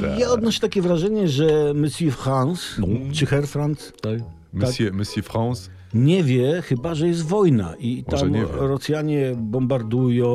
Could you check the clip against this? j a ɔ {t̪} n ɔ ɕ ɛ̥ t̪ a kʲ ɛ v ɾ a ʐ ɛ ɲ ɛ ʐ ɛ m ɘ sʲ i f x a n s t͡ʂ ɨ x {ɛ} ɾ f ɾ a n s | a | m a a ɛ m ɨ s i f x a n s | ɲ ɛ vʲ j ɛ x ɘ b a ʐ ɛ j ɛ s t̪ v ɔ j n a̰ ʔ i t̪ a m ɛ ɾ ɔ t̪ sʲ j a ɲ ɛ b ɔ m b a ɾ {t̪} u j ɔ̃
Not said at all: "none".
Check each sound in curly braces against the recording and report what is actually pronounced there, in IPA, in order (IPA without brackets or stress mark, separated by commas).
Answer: d̪, ɛ, d̪